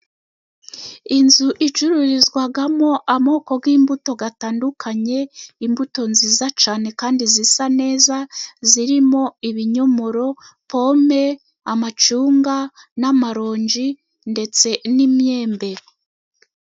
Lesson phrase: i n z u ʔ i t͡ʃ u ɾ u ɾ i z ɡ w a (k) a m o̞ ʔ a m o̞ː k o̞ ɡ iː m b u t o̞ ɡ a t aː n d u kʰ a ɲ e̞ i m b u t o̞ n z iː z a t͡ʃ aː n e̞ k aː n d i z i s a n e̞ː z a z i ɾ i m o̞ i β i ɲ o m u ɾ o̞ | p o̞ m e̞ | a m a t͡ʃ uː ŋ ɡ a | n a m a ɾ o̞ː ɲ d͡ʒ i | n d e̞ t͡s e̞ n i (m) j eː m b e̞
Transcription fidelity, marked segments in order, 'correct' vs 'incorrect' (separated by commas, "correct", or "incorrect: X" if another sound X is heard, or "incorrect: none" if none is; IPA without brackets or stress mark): incorrect: ɡ, correct